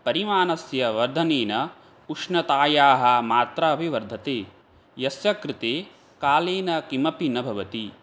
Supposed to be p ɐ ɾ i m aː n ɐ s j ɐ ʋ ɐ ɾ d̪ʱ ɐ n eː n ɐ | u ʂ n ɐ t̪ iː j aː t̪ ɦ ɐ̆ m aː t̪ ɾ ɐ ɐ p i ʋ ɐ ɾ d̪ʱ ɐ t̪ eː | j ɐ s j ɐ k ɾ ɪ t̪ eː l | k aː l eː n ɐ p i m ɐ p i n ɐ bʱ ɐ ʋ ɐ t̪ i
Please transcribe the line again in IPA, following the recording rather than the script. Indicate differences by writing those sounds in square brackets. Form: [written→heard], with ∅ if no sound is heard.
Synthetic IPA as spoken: p ɐ ɾ i m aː n ɐ s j ɐ ʋ ɐ ɾ d̪ʱ ɐ n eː n ɐ | u ʂ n ɐ t̪ [iː→aː] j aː [t̪→∅] ɦ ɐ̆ m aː t̪ ɾ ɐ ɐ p i ʋ ɐ ɾ d̪ʱ ɐ t̪ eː | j ɐ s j ɐ k ɾ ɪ t̪ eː [l→∅] | k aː l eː n ɐ [p→k] i m ɐ p i n ɐ bʱ ɐ ʋ ɐ t̪ i